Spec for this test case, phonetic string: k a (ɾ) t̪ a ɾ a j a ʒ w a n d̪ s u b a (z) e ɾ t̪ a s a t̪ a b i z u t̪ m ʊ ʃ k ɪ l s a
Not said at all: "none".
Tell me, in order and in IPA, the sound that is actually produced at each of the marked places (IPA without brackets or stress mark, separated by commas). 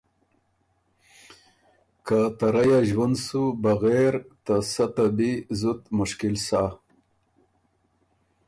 none, ɣ